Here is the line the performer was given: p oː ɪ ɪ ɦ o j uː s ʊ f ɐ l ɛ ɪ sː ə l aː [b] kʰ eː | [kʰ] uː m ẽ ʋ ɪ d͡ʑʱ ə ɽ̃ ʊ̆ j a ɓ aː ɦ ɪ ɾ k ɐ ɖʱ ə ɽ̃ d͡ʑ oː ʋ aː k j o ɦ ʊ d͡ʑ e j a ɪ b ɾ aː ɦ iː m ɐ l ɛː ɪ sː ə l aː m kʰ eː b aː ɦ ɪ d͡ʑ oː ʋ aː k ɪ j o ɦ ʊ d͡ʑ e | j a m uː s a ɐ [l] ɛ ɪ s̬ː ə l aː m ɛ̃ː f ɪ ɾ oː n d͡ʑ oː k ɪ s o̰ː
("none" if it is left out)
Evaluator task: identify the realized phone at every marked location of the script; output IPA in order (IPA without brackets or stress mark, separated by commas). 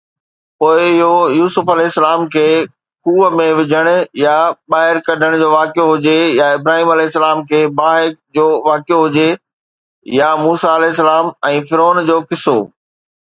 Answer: m, k, l